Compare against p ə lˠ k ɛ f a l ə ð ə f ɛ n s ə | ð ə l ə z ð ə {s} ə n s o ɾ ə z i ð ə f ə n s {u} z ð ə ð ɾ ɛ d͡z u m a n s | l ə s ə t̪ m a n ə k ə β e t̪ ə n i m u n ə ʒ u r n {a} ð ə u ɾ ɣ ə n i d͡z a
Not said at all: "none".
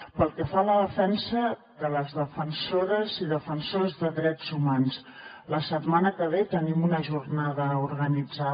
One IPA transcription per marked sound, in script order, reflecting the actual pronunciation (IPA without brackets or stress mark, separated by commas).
f, o, a